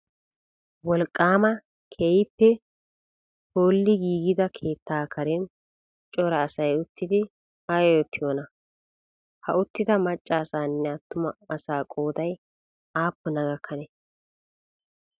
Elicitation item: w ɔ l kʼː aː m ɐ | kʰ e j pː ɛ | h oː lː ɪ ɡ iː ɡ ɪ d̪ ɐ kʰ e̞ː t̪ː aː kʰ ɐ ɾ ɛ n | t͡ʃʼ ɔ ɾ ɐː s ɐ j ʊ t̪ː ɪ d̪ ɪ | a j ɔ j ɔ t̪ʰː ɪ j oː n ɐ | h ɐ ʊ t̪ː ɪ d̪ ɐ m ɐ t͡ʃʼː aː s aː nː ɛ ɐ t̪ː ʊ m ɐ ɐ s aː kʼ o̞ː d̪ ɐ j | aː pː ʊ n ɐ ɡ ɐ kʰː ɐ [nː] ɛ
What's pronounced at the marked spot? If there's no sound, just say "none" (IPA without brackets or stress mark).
n